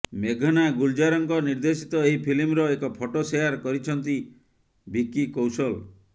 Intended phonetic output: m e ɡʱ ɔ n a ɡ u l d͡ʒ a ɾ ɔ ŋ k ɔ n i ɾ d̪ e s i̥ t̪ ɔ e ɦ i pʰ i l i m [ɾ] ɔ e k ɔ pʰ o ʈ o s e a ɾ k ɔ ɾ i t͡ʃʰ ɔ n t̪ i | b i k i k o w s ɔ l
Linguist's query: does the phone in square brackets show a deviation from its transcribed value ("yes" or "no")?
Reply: no